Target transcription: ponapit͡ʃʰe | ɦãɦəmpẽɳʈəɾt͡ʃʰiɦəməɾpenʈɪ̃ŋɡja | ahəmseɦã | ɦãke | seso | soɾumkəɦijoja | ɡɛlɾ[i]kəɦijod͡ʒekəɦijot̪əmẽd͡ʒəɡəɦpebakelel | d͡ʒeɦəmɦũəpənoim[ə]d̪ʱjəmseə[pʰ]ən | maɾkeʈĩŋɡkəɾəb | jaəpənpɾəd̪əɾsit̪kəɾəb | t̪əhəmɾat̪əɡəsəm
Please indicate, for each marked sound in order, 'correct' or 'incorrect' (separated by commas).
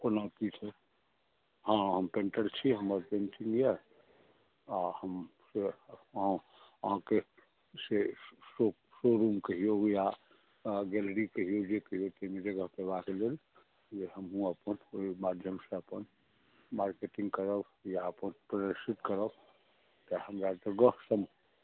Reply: correct, incorrect, incorrect